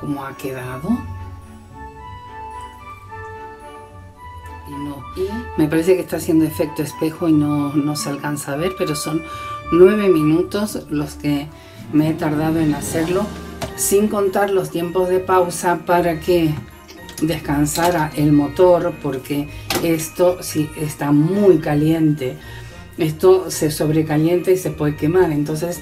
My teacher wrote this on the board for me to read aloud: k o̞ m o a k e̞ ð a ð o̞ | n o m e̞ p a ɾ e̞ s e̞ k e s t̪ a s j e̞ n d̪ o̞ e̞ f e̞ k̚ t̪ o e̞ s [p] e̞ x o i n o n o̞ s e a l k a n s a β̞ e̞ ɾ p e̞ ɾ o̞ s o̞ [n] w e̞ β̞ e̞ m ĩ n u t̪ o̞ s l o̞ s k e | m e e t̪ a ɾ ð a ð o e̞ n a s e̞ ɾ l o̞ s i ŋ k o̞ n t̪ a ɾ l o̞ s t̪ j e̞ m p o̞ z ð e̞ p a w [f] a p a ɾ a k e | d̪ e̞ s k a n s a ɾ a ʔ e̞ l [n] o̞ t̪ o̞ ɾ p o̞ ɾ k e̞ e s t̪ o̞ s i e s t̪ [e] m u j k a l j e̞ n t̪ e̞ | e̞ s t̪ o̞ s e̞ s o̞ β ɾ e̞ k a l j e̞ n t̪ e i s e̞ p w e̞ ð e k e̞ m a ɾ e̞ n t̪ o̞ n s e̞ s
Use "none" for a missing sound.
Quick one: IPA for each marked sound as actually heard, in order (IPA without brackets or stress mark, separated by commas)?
p, nː, s, m, a